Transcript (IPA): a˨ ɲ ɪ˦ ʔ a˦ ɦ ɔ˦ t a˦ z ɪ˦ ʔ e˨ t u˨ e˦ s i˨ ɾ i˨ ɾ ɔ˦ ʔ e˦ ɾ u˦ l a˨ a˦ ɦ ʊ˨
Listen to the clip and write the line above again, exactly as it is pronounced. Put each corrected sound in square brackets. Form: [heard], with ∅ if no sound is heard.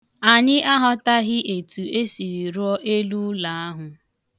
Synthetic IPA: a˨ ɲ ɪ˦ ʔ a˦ ɦ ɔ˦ t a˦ [ɣ] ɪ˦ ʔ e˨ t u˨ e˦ s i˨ ɾ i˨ ɾ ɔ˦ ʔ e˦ [l] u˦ l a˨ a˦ ɦ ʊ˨